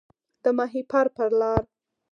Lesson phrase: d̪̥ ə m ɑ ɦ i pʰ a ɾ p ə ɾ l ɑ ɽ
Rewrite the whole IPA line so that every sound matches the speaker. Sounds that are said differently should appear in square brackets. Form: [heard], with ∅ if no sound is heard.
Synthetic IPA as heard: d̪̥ ə m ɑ ɦ i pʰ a ɾ p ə ɾ l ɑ [ɾ]